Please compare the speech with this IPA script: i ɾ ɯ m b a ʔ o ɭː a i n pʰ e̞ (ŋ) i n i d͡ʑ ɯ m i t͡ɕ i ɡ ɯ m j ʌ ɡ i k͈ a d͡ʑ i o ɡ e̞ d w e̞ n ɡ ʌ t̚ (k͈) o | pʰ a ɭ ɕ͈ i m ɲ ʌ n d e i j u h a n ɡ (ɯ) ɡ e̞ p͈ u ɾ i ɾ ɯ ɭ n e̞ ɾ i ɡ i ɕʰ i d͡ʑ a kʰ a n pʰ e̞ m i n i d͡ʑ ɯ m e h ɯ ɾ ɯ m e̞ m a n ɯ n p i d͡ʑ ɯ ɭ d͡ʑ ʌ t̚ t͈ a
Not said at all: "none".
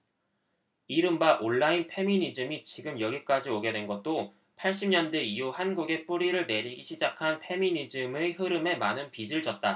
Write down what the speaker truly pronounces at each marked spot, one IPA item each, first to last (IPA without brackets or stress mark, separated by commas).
m, t͈, u